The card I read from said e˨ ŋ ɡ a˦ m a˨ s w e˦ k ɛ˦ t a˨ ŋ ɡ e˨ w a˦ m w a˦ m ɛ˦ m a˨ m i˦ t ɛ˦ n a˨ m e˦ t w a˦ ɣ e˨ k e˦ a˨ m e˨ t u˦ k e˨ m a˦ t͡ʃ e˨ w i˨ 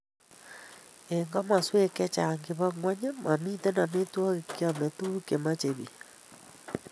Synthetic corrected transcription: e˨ ŋ ɡ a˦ m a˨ s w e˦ k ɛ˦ t͡ʃ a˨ ŋ ɡ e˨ β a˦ ŋ w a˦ ɲ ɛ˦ m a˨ m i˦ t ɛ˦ n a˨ m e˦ t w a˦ ɣ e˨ k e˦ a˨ m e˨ t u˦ k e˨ m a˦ t͡ʃ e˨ β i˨